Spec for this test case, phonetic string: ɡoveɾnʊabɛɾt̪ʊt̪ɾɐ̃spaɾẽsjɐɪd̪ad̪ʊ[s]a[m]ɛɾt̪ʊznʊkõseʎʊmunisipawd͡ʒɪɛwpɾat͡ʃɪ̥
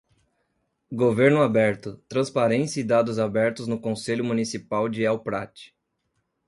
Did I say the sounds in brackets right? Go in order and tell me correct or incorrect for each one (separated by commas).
incorrect, incorrect